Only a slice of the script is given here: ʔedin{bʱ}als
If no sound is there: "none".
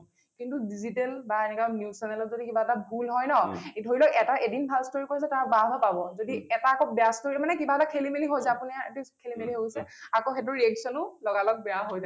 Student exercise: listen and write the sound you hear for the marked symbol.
bʱ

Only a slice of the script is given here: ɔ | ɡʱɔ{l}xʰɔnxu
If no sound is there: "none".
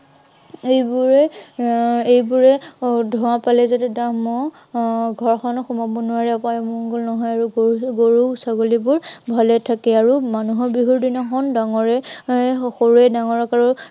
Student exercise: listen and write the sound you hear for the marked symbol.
ɹ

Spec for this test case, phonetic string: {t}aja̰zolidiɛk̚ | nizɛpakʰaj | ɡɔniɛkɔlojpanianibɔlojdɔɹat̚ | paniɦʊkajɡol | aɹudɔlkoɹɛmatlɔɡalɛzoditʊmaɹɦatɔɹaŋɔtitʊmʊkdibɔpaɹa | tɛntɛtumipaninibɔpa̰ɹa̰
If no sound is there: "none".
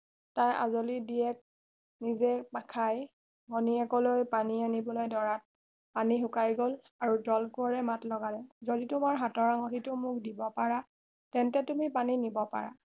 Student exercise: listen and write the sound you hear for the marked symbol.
t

